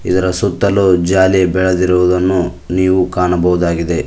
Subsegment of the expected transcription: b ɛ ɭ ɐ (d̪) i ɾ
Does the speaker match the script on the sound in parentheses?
yes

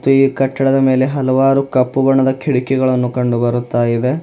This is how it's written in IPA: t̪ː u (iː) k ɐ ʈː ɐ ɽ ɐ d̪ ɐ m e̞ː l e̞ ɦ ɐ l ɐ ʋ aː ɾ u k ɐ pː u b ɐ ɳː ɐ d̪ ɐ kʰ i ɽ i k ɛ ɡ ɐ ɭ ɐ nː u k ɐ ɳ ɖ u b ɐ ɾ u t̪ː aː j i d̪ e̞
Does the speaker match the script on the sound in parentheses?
yes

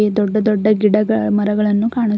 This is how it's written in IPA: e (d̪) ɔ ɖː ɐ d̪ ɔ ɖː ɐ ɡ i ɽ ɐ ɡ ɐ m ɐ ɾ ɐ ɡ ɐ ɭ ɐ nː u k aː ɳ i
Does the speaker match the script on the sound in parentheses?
yes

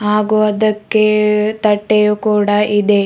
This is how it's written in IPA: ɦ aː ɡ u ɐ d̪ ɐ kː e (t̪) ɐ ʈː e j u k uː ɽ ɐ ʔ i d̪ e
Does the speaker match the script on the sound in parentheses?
yes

